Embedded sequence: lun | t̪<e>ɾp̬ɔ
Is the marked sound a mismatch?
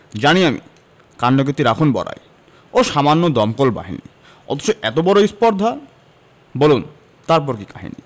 yes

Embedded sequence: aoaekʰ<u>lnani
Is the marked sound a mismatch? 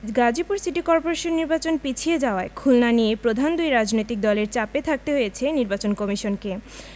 no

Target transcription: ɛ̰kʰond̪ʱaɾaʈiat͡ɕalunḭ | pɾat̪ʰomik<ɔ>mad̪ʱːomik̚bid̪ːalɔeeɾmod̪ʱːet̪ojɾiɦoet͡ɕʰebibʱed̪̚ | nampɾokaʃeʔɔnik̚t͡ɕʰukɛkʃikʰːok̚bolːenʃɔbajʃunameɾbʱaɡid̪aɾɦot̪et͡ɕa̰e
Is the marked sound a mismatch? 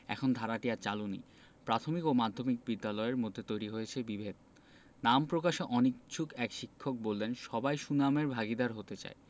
yes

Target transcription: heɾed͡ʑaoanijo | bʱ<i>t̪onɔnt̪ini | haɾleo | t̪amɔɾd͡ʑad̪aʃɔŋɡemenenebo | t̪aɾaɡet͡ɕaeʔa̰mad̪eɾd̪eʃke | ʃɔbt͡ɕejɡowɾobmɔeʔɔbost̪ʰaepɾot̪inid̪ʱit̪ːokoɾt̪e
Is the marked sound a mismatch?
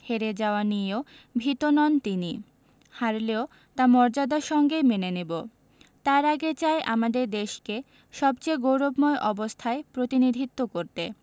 no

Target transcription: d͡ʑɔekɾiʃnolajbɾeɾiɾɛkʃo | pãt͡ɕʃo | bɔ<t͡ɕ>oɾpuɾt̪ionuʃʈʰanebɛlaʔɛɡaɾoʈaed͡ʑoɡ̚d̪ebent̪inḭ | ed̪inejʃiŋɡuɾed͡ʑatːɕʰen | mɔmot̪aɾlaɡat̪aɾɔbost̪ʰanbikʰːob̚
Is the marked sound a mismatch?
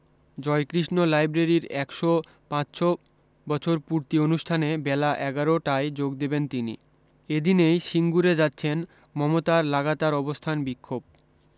yes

